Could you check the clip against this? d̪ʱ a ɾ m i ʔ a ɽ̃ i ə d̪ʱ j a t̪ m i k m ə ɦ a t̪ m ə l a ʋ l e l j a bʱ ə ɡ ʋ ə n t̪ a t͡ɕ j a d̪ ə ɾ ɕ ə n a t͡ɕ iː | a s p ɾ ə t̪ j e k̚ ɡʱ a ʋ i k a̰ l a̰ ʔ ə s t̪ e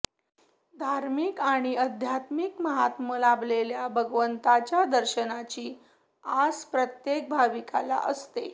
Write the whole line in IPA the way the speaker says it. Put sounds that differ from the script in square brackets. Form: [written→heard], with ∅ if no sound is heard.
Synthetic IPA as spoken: d̪ʱ a ɾ m i [ʔ→k] a ɽ̃ i ə d̪ʱ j a t̪ m i k m ə ɦ a t̪ m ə l a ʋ l e l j a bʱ ə ɡ ʋ ə n t̪ a t͡ɕ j a d̪ ə ɾ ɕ ə n a t͡ɕ iː | a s p ɾ ə t̪ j e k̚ [ɡʱ→bʱ] a ʋ i k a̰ l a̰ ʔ ə s t̪ e